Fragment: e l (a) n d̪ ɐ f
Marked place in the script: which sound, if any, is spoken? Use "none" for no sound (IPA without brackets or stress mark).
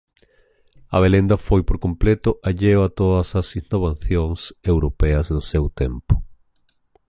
e